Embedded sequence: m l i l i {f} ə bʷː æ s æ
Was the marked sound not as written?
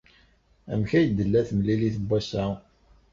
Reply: yes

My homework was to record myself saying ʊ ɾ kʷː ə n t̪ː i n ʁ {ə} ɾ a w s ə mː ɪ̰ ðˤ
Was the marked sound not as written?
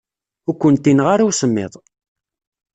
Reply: yes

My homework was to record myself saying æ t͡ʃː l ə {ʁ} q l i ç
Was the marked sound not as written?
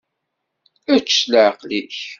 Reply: yes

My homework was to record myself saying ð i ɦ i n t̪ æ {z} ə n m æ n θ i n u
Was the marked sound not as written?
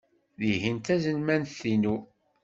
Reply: no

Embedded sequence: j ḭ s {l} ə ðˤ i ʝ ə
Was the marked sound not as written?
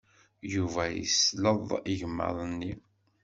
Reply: no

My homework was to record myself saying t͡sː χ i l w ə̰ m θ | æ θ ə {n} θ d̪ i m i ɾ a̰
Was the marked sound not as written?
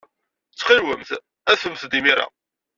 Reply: yes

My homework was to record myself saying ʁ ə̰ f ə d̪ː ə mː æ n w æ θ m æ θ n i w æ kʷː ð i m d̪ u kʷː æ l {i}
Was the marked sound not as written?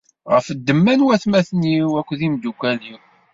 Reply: no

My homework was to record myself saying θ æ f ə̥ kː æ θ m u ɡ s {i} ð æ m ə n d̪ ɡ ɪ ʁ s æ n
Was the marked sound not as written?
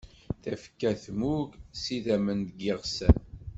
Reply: no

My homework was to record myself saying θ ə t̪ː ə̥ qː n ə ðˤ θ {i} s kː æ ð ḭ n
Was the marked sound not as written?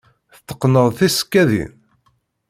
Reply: no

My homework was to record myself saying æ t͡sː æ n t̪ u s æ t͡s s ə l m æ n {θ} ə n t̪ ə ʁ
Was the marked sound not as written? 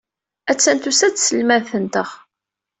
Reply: no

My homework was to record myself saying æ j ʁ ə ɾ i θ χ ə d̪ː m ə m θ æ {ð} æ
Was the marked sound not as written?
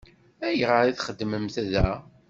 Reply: no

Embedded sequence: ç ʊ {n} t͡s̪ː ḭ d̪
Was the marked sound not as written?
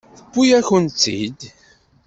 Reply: no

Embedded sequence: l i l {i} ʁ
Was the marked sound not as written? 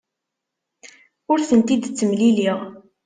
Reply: no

